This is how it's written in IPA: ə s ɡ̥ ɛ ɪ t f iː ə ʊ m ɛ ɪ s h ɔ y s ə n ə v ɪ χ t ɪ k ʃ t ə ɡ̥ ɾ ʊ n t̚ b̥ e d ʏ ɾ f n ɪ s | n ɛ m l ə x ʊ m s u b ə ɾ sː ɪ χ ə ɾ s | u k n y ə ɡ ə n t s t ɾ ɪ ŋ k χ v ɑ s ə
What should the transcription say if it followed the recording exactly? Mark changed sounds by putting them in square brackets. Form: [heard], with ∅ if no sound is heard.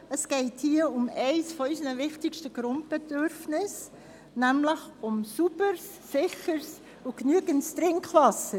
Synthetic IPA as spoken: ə s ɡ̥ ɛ ɪ t [h] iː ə ʊ m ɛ ɪ s [f] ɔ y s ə n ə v ɪ χ t ɪ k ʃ t ə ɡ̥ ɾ ʊ n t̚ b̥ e d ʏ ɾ f n ɪ s | n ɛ m l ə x ʊ m s u b ə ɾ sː ɪ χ ə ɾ s | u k n y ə ɡ ə n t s t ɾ ɪ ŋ k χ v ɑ s ə